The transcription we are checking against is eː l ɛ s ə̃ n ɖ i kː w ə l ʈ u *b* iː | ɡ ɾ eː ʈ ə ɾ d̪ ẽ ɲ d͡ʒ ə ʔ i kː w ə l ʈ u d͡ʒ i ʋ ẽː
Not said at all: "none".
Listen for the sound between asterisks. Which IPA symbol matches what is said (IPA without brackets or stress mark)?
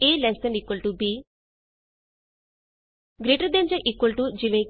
b